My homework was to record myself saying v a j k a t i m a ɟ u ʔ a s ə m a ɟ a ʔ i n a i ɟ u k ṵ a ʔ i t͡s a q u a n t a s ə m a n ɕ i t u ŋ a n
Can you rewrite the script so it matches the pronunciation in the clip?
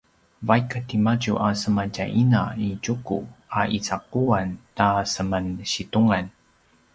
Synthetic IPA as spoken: v a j k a t i m a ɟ u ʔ a s ə m a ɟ a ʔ i n a i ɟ u k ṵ a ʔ i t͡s a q u a n t a s ə m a n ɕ i t u ŋ a n